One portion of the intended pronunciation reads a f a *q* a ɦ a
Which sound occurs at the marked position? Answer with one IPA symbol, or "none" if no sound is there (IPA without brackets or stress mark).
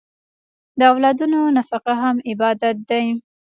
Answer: q